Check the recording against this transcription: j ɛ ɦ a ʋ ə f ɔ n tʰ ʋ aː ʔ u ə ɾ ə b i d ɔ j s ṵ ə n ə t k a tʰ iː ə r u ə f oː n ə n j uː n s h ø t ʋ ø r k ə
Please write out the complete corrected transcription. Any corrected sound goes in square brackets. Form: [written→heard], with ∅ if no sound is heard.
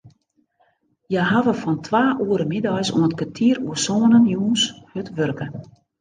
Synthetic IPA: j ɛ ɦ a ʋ ə f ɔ n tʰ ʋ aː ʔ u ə ɾ ə [b→m] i d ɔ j s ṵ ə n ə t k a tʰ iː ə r u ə [f→s] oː n ə n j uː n s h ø t ʋ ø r k ə